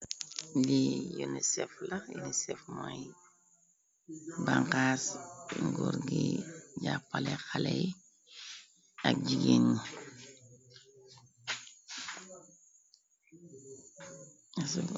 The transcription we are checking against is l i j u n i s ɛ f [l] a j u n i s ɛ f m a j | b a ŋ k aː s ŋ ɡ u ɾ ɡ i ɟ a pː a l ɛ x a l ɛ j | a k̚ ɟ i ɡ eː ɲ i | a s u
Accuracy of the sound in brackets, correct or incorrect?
correct